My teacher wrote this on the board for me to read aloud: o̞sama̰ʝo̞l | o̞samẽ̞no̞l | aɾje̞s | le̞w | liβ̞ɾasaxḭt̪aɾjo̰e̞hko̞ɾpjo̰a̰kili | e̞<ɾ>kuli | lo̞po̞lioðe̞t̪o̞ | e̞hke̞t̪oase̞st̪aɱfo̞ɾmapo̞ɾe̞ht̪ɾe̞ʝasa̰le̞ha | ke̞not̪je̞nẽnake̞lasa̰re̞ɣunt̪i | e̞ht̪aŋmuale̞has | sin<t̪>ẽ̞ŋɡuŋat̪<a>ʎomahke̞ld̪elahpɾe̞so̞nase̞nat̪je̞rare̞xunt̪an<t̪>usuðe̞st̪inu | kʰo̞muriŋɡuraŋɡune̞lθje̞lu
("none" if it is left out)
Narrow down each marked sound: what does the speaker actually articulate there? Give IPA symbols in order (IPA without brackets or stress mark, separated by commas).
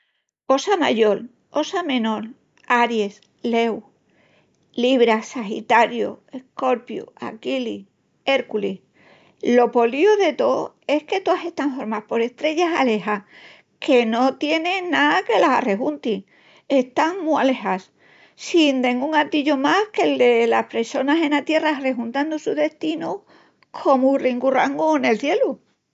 ɾ, d̪, i, d̪